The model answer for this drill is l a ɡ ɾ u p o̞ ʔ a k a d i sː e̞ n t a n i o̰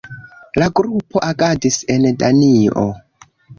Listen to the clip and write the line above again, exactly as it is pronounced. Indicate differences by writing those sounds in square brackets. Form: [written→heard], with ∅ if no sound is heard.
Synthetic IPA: l a ɡ ɾ u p o̞ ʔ a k a d i [sː→s] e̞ n [t→d] a n i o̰

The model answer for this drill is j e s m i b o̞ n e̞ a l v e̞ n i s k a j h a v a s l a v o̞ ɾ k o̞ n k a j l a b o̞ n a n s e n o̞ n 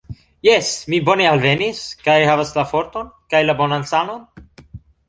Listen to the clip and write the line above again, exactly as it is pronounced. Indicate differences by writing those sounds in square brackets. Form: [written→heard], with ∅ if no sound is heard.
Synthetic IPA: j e s m i b o̞ n e̞ a l v e̞ n i s k a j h a v a s l a [v→f] o̞ ɾ [k→t] o̞ n k a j l a b o̞ n a n s [e→a] n o̞ n

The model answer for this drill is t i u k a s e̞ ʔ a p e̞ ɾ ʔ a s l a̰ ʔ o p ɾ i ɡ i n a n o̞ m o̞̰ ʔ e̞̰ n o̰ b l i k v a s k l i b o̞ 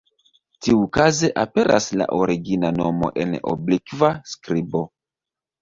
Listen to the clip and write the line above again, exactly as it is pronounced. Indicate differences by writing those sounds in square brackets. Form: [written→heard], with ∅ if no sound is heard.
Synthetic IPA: t i u k a [s→z] e̞ ʔ a p e̞ ɾ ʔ a s l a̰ ʔ o [p→∅] ɾ i ɡ i n a n o̞ m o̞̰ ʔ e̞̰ n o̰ b l i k v a s k [l→ɾ] i b o̞

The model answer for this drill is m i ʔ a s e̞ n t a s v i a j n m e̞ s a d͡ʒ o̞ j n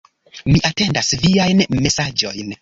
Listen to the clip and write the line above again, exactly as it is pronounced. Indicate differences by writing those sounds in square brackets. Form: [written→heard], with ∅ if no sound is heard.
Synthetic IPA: m i ʔ a [s→t] e̞ n [t→d] a s v i a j n m e̞ s a d͡ʒ o̞ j n

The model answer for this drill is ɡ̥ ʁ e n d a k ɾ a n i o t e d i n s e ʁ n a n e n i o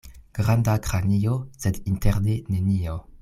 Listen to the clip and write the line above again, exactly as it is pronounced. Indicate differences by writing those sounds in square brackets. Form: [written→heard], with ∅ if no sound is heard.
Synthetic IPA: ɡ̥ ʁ [e→a] n d a k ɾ a n i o [t→s] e d i n [s→t] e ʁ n [a→e] n e n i o

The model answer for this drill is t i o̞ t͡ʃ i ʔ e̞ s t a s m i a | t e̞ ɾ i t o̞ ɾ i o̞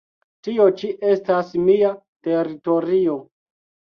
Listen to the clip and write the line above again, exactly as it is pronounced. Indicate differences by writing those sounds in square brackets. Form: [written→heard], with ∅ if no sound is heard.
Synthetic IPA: t i o̞ t͡ʃ i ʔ e̞ s t a s m i a | t e̞ ɾ i t o̞ ɾ i o̞

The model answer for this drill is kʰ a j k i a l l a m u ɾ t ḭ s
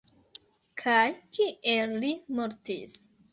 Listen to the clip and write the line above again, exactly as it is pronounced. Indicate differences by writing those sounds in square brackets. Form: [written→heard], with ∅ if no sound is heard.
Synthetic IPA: kʰ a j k i [a→e] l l [a→i] m [u→o] ɾ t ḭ s

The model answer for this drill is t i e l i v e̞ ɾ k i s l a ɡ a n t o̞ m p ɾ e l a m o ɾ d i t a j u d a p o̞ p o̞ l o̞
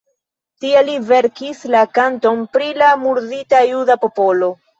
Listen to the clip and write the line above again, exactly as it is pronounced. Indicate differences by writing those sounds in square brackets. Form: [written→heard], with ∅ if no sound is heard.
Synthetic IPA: t i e l i v e̞ ɾ k i s l a [ɡ→k] a n t o̞ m p ɾ [e→i] l a m [o→u] ɾ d i t a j u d a p o̞ p o̞ l o̞

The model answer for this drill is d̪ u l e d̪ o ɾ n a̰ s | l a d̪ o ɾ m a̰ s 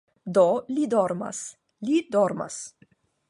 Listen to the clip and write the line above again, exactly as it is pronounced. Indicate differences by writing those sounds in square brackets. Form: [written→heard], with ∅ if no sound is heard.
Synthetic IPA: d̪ [u→o] l [e→i] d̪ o ɾ [n→m] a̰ s | l [a→i] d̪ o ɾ m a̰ s

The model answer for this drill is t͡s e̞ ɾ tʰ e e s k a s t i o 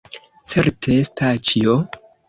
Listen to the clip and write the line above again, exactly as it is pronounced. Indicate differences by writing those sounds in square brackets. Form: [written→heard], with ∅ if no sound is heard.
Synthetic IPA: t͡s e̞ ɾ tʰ e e s [k→t] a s [t→t͡ʃ] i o

